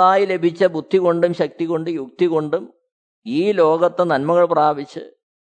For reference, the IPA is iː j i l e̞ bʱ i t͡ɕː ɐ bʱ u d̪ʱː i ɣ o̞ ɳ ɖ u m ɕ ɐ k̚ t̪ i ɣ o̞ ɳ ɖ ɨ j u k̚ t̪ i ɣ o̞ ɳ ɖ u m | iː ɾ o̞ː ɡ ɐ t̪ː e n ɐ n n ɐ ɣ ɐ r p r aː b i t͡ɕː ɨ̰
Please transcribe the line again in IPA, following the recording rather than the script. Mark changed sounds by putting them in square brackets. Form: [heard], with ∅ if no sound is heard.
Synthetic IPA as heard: [aː] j i l e̞ bʱ i t͡ɕː ɐ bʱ u d̪ʱː i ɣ o̞ ɳ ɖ u m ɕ ɐ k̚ t̪ i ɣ o̞ ɳ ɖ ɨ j u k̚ t̪ i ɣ o̞ ɳ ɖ u m | iː [l] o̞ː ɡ ɐ t̪ː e n ɐ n [m] ɐ ɣ ɐ [ɭ] p r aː b i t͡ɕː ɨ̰